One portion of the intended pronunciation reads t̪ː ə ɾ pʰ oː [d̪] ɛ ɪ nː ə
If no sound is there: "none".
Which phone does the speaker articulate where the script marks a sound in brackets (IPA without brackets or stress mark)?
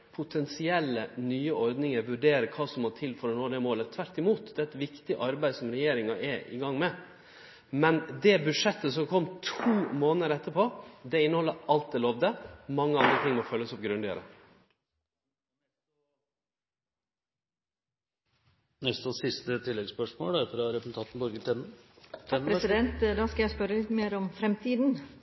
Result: d̪